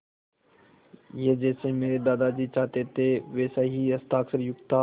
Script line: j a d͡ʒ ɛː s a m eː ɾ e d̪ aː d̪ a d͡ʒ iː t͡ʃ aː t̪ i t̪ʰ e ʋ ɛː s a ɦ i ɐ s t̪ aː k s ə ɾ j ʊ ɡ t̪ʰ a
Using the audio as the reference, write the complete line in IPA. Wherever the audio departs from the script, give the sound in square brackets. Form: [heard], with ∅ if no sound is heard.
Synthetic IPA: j [e] d͡ʒ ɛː s [e] m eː ɾ e d̪ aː d̪ a d͡ʒ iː t͡ʃ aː t̪ [e] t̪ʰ e ʋ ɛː s a ɦ i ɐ s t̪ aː k s ə ɾ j ʊ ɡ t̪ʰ a